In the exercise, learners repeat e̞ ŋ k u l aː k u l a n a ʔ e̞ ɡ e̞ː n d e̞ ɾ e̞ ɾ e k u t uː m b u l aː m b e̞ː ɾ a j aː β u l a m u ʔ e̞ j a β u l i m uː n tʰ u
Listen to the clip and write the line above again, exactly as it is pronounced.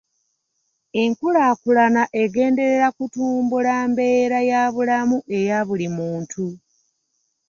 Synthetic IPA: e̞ ŋ k u l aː k u l a n a ʔ e̞ ɡ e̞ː n d e̞ ɾ e̞ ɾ a k u t uː m b u l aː m b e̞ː ɾ a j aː β u l a m u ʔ e̞ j a β u l i m uː n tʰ u